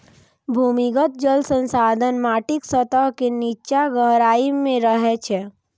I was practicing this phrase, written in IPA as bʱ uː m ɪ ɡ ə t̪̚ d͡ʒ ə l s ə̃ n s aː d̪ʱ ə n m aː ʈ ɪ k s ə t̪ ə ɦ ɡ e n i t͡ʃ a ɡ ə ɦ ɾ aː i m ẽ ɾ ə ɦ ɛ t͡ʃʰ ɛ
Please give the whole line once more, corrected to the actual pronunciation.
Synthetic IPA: bʱ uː m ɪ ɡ ə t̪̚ d͡ʒ ə l s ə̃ n s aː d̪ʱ ə n m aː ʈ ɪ k s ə t̪ ə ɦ k e n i t͡ʃ a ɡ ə ɦ ɾ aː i m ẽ ɾ ə ɦ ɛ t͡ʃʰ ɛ